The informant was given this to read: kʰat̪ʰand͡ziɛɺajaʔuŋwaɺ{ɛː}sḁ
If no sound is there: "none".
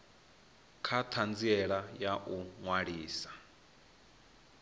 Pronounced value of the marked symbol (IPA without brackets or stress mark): iː